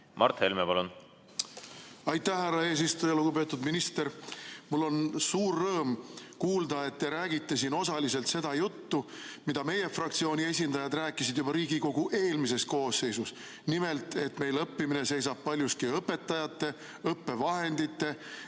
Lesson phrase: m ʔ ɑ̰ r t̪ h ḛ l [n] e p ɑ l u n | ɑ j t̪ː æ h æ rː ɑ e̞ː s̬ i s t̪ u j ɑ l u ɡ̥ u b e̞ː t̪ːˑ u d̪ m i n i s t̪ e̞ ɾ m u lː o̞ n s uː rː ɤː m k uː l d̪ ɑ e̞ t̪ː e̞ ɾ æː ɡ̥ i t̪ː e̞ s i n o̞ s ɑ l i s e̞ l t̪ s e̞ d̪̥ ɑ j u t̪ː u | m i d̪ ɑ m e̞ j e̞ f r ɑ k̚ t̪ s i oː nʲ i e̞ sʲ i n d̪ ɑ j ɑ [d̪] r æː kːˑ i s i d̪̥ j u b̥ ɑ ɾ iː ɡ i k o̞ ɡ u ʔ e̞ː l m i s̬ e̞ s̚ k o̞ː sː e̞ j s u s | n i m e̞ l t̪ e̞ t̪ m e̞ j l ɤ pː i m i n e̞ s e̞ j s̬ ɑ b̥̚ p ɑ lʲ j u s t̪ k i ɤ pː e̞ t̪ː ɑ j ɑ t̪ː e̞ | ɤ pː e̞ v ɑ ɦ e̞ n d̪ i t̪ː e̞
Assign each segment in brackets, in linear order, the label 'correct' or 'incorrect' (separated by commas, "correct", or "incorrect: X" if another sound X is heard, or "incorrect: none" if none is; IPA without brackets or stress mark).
incorrect: m, correct